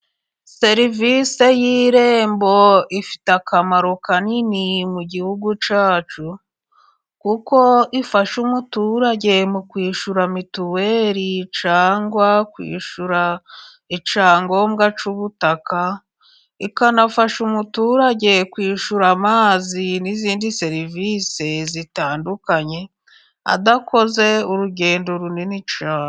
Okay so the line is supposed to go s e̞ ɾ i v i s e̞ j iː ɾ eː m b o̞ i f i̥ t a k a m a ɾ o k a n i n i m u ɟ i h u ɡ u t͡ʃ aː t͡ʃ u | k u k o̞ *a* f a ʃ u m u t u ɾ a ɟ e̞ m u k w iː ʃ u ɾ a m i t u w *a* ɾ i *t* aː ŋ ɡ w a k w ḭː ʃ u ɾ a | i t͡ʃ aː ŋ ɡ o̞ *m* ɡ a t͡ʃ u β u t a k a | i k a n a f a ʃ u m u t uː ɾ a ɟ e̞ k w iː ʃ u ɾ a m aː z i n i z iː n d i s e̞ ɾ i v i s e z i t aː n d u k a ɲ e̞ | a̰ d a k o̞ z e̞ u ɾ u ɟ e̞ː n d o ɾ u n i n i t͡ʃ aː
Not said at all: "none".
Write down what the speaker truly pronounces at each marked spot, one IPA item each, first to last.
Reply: i, e, t͡ʃ, m

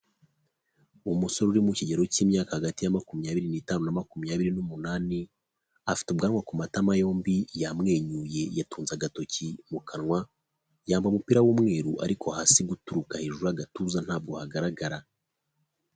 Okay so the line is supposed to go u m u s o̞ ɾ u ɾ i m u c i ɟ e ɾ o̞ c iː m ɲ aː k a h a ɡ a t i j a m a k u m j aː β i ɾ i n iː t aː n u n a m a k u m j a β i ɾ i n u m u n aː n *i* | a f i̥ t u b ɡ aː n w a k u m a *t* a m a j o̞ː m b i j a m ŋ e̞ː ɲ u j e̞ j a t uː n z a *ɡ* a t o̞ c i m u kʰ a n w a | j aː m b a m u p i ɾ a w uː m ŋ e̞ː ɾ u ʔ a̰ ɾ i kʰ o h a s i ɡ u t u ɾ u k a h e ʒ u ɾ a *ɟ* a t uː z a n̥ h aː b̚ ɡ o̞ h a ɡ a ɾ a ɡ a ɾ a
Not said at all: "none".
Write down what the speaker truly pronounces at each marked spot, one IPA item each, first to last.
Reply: i, t, ɡ, ɡ

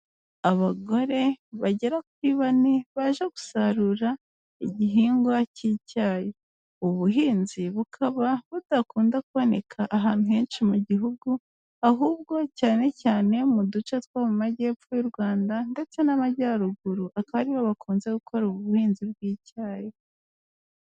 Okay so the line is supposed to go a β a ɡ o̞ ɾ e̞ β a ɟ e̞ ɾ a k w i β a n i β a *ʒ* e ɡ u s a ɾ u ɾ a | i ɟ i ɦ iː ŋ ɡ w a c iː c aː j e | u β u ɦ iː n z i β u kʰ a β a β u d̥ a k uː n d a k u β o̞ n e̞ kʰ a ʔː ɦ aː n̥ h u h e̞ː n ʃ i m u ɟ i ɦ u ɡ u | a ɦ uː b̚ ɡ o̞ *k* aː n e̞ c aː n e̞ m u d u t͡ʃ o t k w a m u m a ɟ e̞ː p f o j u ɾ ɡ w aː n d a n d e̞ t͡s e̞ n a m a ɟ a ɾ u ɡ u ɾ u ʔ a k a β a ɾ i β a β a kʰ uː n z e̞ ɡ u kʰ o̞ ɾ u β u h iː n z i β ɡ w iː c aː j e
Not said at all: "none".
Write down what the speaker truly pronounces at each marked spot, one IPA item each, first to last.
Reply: ʒ, c

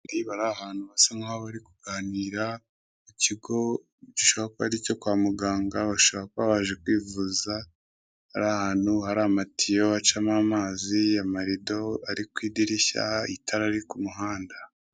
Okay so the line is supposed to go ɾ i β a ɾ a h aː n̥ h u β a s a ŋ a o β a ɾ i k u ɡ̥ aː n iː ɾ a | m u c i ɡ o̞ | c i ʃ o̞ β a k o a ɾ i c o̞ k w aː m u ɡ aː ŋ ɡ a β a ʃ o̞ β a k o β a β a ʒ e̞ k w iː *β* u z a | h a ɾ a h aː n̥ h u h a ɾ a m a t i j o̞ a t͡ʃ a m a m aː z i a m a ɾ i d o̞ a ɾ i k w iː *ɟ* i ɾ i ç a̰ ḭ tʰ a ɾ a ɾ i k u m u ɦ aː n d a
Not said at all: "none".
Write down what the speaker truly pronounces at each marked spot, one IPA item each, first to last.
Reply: v, d

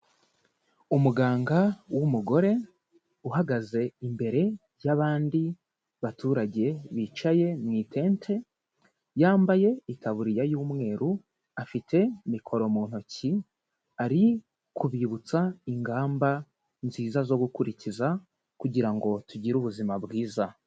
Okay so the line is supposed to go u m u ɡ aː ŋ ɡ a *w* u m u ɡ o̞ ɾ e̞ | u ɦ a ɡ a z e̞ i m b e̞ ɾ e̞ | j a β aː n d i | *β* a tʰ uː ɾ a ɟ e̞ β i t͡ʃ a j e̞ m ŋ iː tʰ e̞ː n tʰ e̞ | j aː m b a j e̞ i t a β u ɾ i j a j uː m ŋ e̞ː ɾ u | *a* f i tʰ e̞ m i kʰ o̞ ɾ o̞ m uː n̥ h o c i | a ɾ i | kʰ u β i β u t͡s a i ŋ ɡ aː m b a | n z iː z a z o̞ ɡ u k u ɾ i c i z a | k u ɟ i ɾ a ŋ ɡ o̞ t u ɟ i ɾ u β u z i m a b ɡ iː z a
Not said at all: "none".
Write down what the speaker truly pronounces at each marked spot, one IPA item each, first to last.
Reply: w, β, a

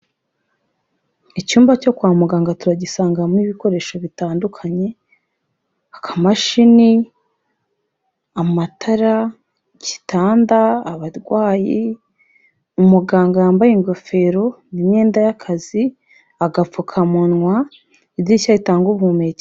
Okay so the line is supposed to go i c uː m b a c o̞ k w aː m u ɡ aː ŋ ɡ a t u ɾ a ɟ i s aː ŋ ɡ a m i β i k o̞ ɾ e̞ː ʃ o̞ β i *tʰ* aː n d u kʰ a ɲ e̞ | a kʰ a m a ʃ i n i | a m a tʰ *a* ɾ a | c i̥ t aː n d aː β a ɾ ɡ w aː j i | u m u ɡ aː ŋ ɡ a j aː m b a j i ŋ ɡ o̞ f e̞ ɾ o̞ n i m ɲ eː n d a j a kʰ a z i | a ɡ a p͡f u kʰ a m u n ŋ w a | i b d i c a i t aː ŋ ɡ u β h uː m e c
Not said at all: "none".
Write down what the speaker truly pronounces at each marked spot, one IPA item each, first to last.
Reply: t, a

